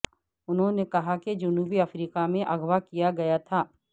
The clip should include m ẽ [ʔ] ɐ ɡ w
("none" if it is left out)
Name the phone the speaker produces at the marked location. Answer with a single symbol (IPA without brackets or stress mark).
ʔ